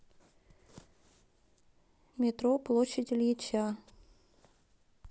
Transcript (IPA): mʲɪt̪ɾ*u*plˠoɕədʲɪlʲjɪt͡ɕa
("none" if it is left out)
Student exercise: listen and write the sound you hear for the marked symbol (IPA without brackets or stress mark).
o